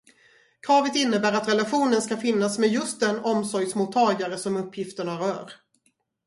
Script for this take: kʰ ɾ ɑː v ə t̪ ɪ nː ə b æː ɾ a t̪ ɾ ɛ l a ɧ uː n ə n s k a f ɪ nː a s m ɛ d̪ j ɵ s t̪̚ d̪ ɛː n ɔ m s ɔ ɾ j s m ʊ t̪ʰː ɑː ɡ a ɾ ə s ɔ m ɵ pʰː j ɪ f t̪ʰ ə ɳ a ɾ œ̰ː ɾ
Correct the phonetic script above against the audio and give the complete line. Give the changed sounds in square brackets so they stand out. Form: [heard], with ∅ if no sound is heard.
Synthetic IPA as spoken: kʰ ɾ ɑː v ə t̪ ɪ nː ə b æː ɾ a t̪ ɾ ɛ l a ɧ uː n ə n s k a f ɪ nː a s m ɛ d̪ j ɵ s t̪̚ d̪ [ɛ] n ɔ m s ɔ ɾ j s m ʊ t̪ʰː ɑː ɡ a ɾ ə s ɔ m ɵ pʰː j ɪ f [t̪] ə ɳ a ɾ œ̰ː ɾ